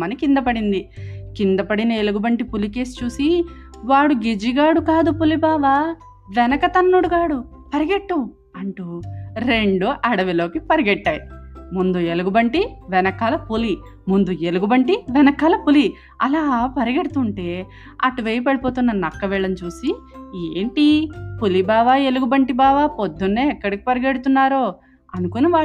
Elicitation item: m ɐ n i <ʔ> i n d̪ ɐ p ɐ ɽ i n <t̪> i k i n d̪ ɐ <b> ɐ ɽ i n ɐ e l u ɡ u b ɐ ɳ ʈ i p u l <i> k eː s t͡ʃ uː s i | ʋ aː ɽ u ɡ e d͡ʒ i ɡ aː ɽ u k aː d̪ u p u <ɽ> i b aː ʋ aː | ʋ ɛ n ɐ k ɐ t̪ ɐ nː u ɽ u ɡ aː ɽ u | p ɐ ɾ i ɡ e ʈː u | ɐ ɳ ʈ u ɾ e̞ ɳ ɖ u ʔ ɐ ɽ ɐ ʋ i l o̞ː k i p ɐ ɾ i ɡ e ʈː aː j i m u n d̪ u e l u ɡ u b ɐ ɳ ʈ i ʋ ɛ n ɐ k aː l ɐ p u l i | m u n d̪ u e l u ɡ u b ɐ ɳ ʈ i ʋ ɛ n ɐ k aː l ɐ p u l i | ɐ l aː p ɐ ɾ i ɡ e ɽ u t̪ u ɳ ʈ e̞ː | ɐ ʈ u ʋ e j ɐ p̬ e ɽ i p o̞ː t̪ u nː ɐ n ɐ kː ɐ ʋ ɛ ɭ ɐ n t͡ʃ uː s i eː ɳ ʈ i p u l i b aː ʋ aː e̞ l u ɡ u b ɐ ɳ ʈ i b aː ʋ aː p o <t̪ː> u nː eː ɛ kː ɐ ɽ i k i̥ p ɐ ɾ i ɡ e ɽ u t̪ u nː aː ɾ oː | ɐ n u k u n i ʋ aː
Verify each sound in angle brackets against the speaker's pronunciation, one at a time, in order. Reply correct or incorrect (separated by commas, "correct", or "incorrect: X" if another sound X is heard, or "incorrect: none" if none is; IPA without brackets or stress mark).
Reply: incorrect: k, incorrect: d̪, incorrect: p, correct, incorrect: l, incorrect: d̪ː